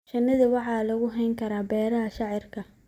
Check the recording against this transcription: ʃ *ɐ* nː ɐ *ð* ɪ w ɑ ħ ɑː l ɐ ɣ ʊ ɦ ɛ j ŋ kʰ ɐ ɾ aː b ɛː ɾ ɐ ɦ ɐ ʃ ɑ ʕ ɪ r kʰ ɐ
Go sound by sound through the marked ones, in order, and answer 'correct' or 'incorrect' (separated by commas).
correct, correct